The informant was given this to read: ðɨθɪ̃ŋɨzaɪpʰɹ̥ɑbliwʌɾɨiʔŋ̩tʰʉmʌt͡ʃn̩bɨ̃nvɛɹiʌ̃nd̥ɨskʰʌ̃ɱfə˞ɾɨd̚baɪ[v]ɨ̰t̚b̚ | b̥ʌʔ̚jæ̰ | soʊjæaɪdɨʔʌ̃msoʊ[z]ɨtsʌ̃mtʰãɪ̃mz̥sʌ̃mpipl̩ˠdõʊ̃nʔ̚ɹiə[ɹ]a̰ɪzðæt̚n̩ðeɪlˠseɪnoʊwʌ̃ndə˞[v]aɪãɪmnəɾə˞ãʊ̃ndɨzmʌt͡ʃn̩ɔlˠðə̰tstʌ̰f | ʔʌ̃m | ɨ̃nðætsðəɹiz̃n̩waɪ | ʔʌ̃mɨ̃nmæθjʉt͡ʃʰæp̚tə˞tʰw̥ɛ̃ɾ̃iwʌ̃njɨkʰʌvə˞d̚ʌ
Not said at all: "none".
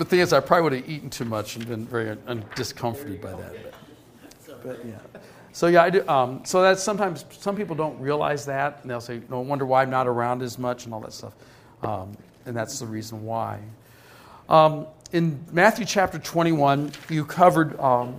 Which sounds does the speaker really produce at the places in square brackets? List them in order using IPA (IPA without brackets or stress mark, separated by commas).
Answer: ð, ð, l, w